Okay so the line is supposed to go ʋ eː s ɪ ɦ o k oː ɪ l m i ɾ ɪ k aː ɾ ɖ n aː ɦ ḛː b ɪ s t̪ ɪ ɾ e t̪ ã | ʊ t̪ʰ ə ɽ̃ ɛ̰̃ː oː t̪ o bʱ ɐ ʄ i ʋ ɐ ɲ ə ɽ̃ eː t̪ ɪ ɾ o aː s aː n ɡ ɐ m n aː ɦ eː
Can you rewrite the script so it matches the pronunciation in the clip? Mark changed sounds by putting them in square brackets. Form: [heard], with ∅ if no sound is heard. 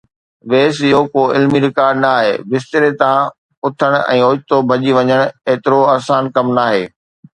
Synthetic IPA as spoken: ʋ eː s ɪ ɦ o k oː ɪ l m i ɾ ɪ k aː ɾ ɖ n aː ɦ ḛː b ɪ s t̪ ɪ ɾ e t̪ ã | ʊ t̪ʰ ə ɽ̃ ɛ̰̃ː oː t̪ o bʱ ɐ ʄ i ʋ ɐ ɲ ə ɽ̃ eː t̪ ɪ ɾ o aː s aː n [k] ɐ m n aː ɦ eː